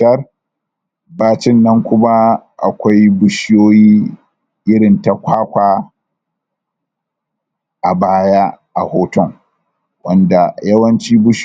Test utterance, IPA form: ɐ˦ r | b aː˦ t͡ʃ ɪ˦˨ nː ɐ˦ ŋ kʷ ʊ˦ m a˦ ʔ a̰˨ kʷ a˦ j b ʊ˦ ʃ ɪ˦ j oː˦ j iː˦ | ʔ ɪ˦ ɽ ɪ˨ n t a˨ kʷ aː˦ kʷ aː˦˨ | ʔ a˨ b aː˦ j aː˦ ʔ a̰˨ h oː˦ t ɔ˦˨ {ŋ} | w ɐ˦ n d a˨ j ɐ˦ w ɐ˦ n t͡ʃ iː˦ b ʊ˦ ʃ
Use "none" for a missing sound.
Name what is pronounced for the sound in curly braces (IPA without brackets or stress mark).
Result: ŋ